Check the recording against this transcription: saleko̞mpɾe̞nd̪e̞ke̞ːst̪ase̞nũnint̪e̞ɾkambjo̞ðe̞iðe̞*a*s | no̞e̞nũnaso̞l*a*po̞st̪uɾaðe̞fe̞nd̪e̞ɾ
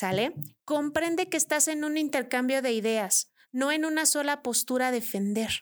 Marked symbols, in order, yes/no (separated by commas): yes, yes